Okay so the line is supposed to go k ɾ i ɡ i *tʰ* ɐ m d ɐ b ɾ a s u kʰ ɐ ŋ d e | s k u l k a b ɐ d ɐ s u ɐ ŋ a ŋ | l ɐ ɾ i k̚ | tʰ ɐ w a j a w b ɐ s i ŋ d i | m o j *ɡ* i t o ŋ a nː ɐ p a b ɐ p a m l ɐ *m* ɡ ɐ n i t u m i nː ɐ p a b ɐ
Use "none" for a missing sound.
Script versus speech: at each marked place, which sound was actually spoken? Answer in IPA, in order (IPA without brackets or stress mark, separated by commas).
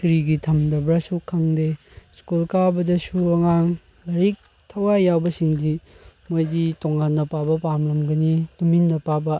tʰ, d, m